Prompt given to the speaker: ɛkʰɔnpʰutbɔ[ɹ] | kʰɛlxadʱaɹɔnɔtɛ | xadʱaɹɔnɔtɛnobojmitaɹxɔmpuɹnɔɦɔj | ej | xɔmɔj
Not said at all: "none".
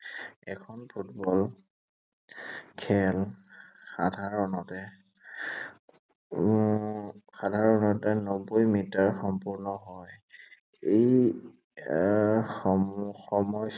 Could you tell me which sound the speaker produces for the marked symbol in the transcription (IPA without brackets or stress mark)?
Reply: l